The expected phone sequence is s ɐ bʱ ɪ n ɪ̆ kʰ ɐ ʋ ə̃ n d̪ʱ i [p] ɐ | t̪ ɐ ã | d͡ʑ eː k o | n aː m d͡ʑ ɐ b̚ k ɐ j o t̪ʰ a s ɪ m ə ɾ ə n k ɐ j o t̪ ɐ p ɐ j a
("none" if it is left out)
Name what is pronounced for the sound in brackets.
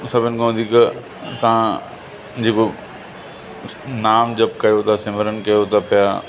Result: k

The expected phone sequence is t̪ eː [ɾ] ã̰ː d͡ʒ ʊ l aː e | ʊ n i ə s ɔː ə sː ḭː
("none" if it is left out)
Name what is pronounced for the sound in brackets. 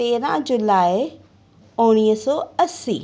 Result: ɾ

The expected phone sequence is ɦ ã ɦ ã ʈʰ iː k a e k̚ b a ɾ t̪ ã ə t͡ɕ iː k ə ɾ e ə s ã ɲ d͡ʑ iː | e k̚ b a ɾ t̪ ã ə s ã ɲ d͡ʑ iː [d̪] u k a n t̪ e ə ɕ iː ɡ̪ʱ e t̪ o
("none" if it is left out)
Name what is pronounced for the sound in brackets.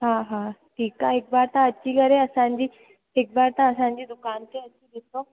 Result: d̪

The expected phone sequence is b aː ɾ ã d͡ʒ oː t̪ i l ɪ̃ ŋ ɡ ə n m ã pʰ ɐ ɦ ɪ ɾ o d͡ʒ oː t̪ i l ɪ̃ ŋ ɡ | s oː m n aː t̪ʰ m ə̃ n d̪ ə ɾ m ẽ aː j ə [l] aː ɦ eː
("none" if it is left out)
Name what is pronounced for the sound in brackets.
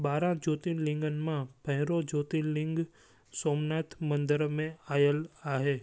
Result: l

